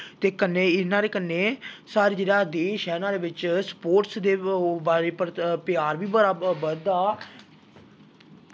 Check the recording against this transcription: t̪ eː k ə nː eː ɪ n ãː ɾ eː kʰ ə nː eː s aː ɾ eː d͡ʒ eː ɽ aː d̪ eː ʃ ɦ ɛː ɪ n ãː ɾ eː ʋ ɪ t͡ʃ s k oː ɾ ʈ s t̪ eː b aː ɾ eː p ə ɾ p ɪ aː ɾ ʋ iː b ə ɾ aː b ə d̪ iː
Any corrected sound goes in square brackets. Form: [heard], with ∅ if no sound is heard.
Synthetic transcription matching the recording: t̪ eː k ə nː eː ɪ n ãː ɾ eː [k] ə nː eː s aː ɾ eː d͡ʒ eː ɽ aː d̪ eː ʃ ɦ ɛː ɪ n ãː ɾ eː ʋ ɪ t͡ʃ s [p] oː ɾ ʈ s [d̪] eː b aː ɾ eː p ə ɾ p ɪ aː ɾ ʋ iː b ə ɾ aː b ə d̪ [aː]

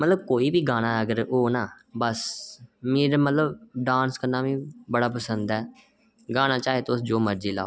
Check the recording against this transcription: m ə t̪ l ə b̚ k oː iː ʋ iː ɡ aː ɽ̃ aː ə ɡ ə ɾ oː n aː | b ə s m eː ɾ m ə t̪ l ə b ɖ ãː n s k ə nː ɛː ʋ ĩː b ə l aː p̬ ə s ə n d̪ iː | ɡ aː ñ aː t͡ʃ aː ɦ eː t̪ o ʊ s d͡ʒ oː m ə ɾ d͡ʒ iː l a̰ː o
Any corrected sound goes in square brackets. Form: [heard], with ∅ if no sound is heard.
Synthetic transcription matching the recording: m ə t̪ l ə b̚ k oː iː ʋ iː ɡ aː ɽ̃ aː ə ɡ ə ɾ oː n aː | b ə s m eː ɾ m ə t̪ l ə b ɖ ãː n s k ə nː [aː] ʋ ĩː b ə [ɽ] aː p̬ ə s ə n d̪ [ɛː] | ɡ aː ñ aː t͡ʃ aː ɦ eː t̪ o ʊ s d͡ʒ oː m ə ɾ d͡ʒ iː l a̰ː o

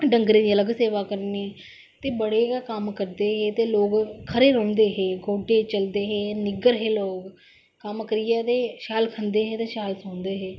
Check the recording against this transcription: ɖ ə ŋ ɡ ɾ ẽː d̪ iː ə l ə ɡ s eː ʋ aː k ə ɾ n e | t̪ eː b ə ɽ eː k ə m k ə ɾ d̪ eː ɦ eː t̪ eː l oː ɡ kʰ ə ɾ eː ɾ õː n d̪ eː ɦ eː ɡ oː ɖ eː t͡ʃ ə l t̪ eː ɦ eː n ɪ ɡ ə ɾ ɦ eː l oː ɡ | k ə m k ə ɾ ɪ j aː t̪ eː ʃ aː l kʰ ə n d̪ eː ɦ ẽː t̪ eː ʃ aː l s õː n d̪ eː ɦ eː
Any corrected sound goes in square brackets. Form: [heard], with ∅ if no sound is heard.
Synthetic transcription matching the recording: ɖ ə ŋ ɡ ɾ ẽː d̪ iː ə l ə ɡ s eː ʋ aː k ə ɾ n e | t̪ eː b ə ɽ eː k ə m k ə ɾ d̪ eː ɦ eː t̪ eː l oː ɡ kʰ ə ɾ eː ɾ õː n d̪ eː ɦ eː ɡ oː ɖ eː t͡ʃ ə l [d̪] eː ɦ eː n ɪ ɡ ə ɾ ɦ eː l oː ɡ | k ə m k ə ɾ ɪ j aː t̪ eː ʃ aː l kʰ ə n d̪ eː ɦ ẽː t̪ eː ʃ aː l s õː n d̪ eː ɦ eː

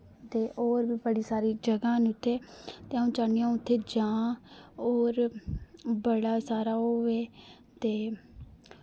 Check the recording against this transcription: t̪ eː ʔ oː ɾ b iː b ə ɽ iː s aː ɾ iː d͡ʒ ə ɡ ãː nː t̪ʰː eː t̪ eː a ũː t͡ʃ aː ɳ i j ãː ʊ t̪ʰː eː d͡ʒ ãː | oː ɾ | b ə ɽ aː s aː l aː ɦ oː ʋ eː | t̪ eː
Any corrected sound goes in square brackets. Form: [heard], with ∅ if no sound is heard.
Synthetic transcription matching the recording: t̪ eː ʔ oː ɾ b iː b ə ɽ iː s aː ɾ iː d͡ʒ ə ɡ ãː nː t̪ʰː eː t̪ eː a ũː t͡ʃ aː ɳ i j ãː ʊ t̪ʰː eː d͡ʒ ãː | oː ɾ | b ə ɽ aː s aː [ɾ] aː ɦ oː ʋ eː | t̪ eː

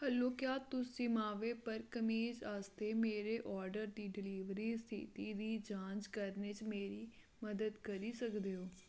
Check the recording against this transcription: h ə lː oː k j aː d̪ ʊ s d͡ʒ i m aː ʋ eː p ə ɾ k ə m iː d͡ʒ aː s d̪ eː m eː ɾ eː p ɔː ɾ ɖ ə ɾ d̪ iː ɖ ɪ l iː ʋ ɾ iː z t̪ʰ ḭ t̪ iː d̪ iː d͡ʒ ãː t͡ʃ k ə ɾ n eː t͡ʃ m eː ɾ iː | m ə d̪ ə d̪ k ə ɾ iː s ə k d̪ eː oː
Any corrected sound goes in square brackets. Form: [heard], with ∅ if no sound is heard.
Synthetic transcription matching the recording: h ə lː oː k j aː [t̪] ʊ s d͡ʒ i m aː ʋ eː p ə ɾ k ə m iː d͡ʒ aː s [t̪] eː m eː ɾ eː [ʔ] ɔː ɾ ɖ ə ɾ d̪ iː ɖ ɪ l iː ʋ ɾ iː [s] t̪ʰ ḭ t̪ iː d̪ iː d͡ʒ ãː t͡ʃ k ə ɾ n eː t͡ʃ m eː ɾ iː | m ə d̪ ə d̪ k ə ɾ iː s ə k d̪ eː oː

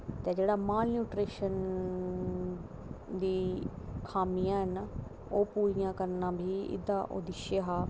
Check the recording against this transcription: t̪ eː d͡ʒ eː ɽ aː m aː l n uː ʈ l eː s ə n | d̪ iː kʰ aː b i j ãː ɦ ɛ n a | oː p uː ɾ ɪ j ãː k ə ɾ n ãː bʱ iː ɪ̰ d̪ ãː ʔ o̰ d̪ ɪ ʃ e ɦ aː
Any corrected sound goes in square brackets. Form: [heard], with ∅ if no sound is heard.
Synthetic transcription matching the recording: t̪ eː d͡ʒ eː ɽ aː m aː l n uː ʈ [ɾ] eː [ʃ] ə n | d̪ iː kʰ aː [m] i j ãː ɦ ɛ n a | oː p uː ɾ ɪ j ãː k ə ɾ n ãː bʱ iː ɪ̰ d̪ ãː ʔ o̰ d̪ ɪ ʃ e ɦ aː

